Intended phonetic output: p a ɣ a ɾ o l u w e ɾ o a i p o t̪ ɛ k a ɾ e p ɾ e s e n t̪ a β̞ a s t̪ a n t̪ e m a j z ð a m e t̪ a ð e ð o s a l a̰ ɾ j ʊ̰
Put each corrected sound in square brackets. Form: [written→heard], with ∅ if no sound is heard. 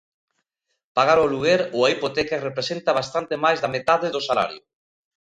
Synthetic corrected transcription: p a ɣ a ɾ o l u [w→ɣ] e ɾ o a i p o t̪ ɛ k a [ɾ→r] e p ɾ e s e n t̪ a β̞ a s t̪ a n t̪ e m a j z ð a m e t̪ a ð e ð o s a l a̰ ɾ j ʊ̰